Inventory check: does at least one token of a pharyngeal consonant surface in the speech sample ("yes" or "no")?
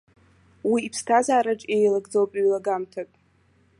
no